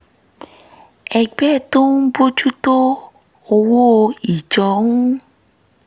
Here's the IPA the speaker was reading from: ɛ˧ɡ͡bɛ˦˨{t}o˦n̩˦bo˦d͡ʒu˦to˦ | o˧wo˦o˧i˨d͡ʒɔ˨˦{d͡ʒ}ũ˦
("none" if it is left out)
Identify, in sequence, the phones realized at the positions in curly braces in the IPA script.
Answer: t, none

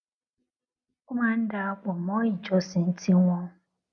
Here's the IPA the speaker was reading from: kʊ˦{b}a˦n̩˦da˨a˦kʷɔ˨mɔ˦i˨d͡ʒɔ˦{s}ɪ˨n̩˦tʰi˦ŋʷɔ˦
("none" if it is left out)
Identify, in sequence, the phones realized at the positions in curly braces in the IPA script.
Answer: m, s

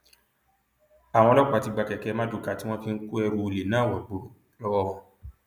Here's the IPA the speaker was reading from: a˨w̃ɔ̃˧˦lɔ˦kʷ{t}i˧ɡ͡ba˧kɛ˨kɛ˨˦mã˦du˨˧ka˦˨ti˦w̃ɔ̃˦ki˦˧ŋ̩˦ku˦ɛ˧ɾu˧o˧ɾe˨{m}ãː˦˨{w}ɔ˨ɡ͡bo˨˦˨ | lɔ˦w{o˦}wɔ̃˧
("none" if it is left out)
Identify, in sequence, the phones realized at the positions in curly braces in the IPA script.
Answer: t, n, w, ɔ˦

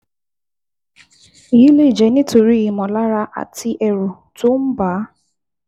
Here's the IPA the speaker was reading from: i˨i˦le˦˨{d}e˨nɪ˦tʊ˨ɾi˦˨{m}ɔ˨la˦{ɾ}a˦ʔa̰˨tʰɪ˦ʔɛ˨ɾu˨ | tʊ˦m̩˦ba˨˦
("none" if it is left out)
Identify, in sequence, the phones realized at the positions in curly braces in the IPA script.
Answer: d͡ʒ, m, ɾ

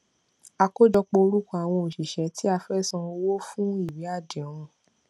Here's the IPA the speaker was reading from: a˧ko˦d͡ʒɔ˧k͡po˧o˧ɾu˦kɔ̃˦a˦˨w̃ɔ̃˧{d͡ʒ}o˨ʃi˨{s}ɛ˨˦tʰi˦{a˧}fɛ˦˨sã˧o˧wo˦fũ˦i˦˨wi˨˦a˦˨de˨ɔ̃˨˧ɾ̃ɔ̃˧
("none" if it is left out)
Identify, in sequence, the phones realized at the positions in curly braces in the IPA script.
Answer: none, ʃ, a˧

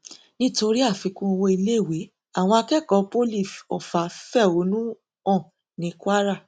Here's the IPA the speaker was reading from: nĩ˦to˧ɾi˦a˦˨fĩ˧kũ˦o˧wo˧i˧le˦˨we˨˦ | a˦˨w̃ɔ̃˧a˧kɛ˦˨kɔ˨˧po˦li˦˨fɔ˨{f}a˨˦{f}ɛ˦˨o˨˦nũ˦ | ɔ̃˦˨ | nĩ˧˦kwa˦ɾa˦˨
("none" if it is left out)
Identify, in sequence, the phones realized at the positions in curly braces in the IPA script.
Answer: f, f

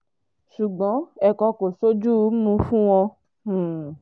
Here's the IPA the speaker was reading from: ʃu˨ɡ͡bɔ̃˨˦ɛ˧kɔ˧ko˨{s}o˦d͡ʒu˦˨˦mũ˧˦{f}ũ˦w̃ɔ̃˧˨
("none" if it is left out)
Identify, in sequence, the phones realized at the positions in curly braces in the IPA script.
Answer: s, f

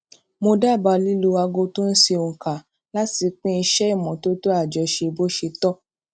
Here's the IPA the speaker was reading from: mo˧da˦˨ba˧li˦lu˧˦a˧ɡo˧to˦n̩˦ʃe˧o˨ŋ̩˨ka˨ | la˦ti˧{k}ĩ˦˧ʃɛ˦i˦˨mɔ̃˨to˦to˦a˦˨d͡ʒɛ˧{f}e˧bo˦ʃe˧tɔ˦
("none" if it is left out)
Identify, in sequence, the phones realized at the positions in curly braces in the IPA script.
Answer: k͡p, ʃ

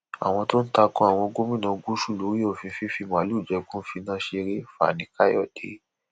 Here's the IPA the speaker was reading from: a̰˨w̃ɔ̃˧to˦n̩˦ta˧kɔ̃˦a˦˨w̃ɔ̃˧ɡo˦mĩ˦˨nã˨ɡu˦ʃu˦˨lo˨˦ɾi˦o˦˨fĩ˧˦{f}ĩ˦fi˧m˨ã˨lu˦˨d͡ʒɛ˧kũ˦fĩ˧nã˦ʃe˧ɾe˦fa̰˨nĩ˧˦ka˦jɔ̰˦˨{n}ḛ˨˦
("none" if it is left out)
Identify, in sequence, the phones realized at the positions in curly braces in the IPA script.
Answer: f, d

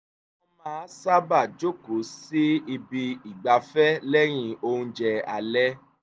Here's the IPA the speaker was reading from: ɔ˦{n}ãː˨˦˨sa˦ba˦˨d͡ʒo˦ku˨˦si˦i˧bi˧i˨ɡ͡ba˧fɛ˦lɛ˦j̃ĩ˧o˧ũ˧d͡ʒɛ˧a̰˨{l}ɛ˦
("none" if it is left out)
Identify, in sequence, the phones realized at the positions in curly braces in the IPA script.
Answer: m, l

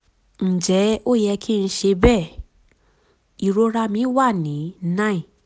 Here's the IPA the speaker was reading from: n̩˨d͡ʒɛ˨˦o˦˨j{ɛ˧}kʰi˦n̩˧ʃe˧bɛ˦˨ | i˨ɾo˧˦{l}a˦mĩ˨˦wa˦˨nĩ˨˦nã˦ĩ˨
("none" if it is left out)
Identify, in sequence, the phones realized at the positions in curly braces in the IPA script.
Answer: ɛ˧, ɾ

